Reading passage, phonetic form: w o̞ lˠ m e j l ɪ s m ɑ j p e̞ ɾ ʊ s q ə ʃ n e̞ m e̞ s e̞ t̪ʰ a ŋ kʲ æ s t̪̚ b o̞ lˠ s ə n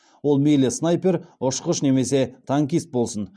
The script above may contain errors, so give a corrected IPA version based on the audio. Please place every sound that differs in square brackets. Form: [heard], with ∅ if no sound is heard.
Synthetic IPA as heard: w o̞ lˠ m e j l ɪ s [n] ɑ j p e̞ ɾ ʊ [ʃ] q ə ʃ n e̞ m e̞ s e̞ t̪ʰ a ŋ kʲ [i] s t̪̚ b o̞ lˠ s ə n